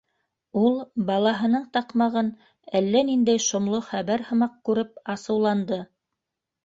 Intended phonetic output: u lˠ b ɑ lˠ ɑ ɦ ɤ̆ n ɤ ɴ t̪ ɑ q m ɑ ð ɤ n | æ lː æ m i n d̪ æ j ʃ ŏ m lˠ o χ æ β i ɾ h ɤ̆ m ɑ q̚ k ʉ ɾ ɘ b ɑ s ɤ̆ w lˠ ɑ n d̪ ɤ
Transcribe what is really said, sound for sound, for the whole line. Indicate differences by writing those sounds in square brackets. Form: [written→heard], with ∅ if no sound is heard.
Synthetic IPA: u lˠ b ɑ lˠ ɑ ɦ ɤ̆ n ɤ ɴ t̪ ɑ q m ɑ [ð→ʁ] ɤ n | æ lː æ [m→n] i n d̪ æ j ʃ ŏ m lˠ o χ æ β [i→æ] ɾ h ɤ̆ m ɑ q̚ k ʉ ɾ ɘ [b→p] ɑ s ɤ̆ w lˠ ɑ n d̪ ɤ